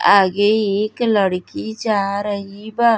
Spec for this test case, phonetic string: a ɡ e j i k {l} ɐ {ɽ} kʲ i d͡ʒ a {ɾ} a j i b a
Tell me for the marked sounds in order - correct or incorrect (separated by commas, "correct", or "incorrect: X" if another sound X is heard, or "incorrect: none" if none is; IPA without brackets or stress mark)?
correct, correct, correct